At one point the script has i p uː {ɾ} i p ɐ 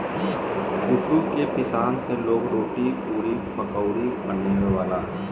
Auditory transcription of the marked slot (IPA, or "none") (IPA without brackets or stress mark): ɾ